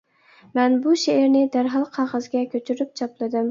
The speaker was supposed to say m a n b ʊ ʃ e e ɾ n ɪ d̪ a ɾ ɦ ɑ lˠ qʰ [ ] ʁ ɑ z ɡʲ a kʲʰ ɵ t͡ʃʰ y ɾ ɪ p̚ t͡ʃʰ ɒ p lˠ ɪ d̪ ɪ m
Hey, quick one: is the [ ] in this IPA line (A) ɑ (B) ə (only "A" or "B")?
A